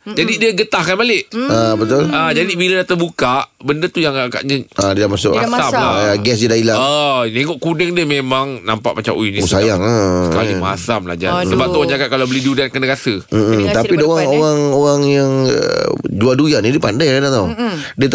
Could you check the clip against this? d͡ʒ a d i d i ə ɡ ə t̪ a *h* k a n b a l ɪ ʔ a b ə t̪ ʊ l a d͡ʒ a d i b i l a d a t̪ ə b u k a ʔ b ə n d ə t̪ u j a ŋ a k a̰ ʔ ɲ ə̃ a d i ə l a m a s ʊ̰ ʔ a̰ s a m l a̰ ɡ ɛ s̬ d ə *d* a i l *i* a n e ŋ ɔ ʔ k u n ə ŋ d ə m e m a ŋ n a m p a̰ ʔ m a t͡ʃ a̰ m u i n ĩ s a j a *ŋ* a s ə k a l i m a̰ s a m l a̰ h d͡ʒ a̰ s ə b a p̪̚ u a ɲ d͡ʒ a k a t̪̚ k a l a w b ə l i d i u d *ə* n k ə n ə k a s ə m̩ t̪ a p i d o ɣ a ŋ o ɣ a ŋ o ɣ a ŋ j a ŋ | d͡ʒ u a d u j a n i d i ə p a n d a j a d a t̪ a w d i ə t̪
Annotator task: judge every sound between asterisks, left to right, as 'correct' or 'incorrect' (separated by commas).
correct, correct, incorrect, correct, incorrect